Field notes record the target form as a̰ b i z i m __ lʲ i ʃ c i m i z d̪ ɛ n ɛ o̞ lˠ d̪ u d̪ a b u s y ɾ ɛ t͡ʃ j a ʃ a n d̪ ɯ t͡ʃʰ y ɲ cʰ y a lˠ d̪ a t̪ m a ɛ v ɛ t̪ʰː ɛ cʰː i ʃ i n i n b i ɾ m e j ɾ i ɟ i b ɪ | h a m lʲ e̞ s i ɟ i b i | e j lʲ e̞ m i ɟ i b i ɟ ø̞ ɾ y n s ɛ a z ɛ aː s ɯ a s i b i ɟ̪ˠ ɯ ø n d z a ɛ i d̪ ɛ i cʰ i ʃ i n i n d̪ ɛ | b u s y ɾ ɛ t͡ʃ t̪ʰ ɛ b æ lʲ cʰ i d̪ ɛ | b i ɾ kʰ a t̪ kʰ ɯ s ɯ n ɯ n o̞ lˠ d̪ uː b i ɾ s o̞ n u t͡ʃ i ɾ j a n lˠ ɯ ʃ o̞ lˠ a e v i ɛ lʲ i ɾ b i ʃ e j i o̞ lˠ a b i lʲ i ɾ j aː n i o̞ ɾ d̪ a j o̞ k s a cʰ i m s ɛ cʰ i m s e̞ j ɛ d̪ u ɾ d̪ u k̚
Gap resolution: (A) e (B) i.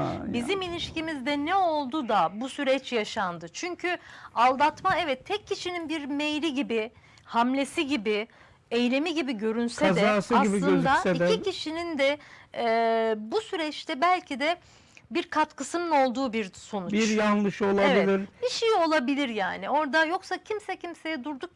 B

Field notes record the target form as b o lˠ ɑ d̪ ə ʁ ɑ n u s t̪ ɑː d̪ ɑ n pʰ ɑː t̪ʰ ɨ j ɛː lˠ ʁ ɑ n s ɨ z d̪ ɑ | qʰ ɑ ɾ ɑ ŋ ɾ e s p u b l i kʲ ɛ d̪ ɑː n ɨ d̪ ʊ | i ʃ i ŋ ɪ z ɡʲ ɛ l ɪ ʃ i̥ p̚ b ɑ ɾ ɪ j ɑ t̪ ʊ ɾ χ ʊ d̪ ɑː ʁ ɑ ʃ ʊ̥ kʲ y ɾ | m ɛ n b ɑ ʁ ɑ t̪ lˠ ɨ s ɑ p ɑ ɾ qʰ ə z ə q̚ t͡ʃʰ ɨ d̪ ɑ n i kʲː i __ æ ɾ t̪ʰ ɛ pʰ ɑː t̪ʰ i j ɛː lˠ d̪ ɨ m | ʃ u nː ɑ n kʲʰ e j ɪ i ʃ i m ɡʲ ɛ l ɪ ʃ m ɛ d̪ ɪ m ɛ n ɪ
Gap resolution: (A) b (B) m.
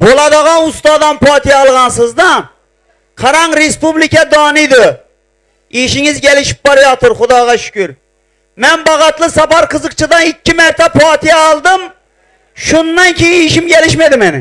B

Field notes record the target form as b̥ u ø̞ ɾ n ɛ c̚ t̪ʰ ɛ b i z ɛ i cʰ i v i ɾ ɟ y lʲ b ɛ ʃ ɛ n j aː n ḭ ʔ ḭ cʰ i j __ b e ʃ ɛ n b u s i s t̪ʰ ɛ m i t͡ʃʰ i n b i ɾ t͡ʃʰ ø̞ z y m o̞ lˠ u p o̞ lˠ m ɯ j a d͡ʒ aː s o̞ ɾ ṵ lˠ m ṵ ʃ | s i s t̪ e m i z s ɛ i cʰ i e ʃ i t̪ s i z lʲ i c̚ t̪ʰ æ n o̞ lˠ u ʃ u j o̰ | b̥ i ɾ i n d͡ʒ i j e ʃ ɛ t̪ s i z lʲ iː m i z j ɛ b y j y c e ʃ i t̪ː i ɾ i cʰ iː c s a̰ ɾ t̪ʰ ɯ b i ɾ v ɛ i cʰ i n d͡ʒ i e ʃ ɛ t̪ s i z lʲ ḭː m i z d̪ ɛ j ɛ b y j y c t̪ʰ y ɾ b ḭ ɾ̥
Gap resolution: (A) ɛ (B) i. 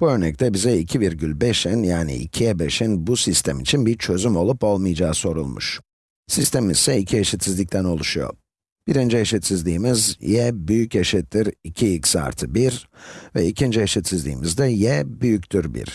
A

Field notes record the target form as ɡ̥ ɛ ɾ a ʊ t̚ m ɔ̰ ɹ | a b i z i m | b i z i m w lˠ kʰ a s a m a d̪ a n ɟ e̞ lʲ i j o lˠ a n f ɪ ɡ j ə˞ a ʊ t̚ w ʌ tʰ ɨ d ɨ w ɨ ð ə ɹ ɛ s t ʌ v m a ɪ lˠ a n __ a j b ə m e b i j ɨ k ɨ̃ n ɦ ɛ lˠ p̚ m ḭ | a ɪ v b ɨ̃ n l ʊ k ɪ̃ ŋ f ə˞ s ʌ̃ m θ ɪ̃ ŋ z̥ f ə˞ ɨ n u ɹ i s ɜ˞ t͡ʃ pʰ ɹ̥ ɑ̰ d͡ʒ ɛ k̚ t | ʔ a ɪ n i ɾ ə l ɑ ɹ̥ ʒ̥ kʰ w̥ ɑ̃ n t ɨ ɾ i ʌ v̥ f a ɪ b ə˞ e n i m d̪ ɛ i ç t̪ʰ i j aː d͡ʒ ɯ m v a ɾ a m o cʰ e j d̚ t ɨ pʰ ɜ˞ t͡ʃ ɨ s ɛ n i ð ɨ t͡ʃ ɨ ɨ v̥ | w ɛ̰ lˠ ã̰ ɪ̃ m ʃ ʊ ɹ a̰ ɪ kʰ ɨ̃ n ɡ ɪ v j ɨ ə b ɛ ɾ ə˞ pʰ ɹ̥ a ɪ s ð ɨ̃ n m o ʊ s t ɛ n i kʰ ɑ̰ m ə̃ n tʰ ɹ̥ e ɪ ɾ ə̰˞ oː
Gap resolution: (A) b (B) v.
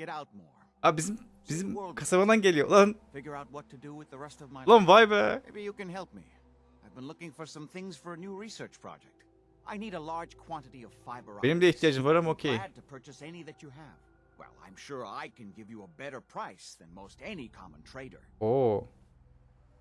B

